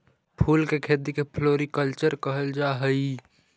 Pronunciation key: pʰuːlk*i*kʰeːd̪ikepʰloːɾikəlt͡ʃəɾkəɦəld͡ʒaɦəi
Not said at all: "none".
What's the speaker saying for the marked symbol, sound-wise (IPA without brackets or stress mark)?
e